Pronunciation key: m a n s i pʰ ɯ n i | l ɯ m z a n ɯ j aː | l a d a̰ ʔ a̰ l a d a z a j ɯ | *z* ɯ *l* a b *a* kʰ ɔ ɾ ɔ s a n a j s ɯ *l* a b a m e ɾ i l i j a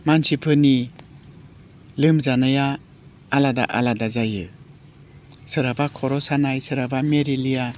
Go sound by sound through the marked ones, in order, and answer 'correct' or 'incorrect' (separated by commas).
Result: incorrect, incorrect, correct, incorrect